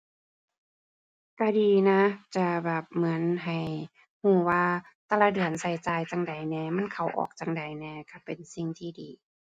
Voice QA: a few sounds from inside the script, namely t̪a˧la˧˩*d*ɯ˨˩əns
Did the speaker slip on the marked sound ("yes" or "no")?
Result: no